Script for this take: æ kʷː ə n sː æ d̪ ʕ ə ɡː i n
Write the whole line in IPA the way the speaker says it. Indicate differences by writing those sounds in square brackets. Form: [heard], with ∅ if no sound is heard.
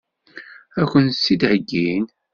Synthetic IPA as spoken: æ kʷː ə n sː [i] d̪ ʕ ə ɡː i n